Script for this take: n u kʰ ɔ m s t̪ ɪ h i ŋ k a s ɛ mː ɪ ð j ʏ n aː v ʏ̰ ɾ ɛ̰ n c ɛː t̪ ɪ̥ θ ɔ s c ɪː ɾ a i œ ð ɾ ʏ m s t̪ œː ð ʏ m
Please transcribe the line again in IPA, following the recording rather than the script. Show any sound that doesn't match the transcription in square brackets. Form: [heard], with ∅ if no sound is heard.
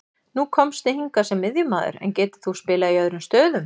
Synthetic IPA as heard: n u kʰ ɔ m s t̪ ɪ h i ŋ k a s ɛ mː ɪ ð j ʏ [m] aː [ð] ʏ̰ ɾ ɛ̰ n c ɛː t̪ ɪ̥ θ [u] s [p] ɪː [l] a i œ ð ɾ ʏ m s t̪ œː ð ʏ m